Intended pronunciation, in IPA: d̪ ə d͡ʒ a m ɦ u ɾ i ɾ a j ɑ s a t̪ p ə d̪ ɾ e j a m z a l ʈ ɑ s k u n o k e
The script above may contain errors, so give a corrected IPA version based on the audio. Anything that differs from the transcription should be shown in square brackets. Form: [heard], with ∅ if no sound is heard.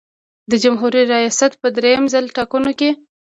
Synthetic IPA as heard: d̪ ə d͡ʒ a m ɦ u ɾ i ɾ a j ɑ s a t̪ p ə d̪ ɾ e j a m z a l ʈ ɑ [∅] k u n o k e